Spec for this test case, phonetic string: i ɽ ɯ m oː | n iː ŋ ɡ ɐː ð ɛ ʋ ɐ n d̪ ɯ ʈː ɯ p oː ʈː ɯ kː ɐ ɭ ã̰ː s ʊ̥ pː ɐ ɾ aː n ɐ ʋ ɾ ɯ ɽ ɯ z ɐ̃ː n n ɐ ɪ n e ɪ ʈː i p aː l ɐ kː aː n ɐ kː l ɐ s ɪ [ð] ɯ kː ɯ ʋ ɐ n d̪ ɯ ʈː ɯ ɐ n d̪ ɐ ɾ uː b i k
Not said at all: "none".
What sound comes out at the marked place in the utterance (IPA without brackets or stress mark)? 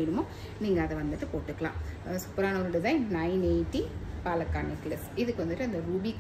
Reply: ð